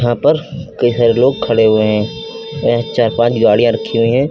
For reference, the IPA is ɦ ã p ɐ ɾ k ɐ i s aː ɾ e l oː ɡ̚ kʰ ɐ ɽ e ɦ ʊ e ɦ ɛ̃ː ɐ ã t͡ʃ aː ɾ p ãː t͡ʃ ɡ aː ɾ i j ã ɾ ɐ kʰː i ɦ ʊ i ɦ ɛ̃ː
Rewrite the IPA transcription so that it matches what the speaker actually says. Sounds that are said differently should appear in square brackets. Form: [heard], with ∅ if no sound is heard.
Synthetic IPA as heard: ɦ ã p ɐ ɾ k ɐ i s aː ɾ e l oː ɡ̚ kʰ ɐ ɽ e ɦ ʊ e ɦ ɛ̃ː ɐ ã t͡ʃ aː ɾ p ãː t͡ʃ ɡ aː [ɽ] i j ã ɾ ɐ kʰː i ɦ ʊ i ɦ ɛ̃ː